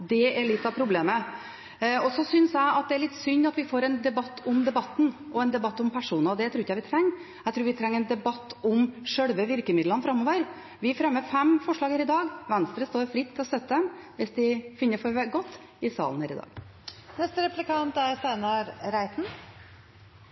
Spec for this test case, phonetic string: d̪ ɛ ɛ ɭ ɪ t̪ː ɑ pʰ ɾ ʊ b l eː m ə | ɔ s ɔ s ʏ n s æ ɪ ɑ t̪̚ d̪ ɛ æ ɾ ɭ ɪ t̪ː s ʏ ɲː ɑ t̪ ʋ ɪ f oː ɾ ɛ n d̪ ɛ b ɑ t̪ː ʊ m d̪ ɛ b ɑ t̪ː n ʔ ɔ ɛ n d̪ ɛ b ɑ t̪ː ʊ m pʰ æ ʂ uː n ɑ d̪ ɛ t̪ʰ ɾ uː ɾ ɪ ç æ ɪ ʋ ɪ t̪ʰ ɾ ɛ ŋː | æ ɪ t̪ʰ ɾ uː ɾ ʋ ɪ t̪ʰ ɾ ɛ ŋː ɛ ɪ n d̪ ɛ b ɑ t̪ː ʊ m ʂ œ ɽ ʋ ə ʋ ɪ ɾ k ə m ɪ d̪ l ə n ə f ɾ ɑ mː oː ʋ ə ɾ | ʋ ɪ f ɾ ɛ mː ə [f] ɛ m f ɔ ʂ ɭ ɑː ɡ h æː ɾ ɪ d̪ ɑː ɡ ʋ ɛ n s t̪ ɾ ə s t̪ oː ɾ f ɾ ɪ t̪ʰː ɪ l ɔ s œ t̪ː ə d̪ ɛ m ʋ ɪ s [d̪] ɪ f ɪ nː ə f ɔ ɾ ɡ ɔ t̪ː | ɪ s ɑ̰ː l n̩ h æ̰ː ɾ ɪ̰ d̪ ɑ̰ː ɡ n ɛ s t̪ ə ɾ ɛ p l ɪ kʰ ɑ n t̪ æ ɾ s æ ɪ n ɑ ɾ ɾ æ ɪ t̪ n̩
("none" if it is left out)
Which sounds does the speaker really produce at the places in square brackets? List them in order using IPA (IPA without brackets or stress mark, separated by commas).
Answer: f, d̪